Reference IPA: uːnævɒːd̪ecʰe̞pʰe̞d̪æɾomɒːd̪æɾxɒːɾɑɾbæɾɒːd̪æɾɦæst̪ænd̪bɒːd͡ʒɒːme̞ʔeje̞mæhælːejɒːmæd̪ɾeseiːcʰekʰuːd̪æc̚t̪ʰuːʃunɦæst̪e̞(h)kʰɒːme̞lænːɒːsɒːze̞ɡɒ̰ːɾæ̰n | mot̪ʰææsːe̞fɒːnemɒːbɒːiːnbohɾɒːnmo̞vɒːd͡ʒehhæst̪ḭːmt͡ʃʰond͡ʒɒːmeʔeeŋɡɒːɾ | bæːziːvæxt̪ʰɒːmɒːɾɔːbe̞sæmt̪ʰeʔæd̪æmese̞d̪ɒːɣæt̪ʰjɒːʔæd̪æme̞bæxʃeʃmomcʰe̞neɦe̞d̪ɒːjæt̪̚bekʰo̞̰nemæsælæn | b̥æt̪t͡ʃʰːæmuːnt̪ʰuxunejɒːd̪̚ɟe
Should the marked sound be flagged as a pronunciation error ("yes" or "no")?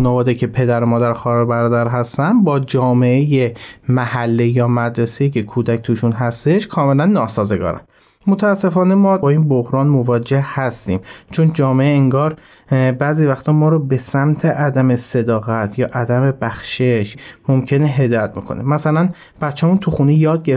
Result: yes